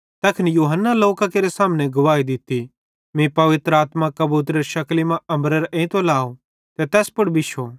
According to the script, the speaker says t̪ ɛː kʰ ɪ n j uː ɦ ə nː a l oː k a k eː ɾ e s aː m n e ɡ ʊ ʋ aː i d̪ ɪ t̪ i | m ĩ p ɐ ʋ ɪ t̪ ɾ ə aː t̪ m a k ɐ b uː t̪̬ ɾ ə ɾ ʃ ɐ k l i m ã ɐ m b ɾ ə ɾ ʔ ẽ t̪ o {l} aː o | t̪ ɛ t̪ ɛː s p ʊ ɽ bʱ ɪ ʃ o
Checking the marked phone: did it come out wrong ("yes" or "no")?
no